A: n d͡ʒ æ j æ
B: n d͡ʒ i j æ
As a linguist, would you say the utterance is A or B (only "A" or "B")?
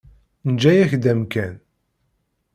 A